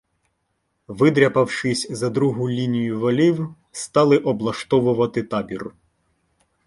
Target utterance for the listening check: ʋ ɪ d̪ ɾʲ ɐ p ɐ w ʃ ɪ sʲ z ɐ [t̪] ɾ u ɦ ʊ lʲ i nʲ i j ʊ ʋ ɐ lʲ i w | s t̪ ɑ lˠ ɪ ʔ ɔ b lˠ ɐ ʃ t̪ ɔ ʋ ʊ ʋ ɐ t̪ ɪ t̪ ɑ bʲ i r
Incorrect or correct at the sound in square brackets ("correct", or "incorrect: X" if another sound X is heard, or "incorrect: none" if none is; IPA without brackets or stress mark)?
incorrect: d̪